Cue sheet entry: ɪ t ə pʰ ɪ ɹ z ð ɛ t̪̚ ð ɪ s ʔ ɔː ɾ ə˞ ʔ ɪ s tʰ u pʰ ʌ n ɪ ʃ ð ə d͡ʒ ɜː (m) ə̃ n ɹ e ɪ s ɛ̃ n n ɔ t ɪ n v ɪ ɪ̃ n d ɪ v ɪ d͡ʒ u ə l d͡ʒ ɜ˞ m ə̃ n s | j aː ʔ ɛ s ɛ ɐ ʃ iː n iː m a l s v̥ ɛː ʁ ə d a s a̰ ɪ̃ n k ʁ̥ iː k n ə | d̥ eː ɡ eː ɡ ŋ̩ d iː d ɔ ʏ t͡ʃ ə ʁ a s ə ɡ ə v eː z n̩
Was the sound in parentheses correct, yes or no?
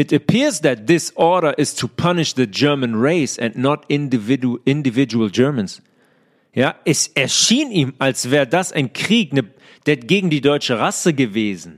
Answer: yes